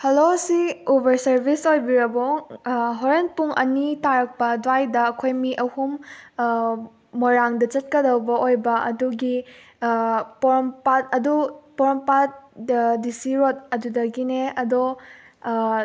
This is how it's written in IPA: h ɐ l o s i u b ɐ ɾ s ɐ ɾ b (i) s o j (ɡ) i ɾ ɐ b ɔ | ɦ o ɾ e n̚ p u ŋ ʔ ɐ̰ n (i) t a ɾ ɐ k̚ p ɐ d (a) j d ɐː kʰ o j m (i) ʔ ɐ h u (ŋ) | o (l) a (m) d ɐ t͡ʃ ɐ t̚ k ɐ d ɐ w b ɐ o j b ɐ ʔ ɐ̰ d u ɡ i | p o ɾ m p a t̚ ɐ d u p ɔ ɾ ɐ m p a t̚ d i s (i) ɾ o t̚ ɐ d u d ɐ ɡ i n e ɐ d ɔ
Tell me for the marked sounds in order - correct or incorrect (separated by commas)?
correct, incorrect, correct, correct, correct, incorrect, incorrect, incorrect, correct